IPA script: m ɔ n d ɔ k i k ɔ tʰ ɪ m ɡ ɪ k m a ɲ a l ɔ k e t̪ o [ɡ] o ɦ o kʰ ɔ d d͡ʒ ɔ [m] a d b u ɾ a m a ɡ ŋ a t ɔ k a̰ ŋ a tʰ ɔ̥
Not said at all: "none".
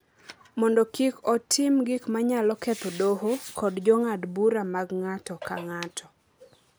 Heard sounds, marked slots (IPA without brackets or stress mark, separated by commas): d, ŋ